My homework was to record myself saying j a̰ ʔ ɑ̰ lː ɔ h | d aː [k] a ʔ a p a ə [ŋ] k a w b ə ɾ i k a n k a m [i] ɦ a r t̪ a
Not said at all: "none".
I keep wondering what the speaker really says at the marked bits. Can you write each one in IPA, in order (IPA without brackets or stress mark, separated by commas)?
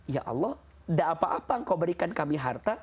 p, ŋ, i